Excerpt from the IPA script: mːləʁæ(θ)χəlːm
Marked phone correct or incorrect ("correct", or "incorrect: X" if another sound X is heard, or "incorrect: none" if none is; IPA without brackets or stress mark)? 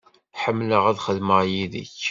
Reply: incorrect: ð